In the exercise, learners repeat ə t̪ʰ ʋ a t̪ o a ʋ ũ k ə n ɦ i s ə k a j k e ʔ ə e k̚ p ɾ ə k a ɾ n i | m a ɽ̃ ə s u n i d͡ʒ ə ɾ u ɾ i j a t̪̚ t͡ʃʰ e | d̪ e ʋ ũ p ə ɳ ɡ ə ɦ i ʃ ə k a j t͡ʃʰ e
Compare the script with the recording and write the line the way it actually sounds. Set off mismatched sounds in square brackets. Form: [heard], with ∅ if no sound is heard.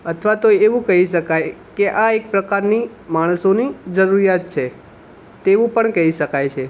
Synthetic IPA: ə t̪ʰ ʋ a t̪ o [e] ʋ ũ k ə [∅] ɦ i [ʃ] ə k a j k e ʔ [a] e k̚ p ɾ ə k a ɾ n i | m a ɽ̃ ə s [o] n i d͡ʒ ə ɾ u ɾ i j a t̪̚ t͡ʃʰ e | [t̪] e ʋ ũ p ə ɳ [k] ə ɦ i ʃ ə k a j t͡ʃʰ e